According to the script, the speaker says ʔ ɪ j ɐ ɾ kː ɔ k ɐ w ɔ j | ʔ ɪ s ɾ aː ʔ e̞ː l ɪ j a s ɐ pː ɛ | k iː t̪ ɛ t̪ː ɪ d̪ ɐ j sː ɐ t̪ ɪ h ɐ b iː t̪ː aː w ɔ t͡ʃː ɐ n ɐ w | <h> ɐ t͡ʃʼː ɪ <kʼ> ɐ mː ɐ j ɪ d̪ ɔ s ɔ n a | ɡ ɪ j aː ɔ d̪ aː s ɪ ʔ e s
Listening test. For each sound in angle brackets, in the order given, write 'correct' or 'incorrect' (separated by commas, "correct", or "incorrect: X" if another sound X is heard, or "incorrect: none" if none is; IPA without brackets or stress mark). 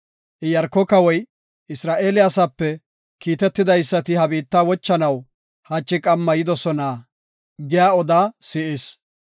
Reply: correct, correct